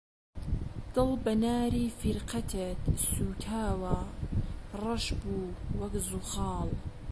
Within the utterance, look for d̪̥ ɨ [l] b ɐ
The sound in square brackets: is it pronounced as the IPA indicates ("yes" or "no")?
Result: yes